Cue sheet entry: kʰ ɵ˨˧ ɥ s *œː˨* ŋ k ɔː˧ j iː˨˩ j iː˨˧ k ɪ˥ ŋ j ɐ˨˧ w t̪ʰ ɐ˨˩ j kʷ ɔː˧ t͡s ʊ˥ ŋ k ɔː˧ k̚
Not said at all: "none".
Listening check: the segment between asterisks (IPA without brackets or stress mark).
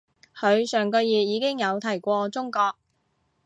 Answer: œː˨